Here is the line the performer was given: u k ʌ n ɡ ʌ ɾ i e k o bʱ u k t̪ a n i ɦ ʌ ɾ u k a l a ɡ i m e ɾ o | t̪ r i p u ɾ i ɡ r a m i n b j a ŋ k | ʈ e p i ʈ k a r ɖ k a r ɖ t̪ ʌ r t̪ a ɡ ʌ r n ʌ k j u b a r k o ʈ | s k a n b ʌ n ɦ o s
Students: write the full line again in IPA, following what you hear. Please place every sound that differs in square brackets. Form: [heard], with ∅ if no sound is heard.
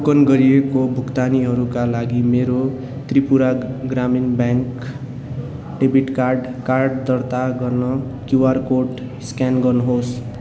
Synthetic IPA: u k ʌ n ɡ ʌ ɾ i e k o bʱ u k t̪ a n i ɦ ʌ ɾ u k a l a ɡ i m e ɾ o | t̪ r i p u ɾ [a] ɡ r a m i n b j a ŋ k | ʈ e [b] i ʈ k a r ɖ k a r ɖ [d̪] ʌ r t̪ a ɡ ʌ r n ʌ k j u [w] a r k o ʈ | s k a n [ɡ] ʌ n ɦ o s